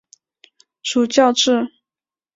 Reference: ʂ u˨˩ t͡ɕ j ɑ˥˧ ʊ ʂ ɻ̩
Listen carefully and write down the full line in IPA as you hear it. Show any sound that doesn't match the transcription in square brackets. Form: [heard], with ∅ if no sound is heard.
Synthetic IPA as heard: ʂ u˨˩ t͡ɕ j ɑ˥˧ ʊ [ʈ͡ʂ] ɻ̩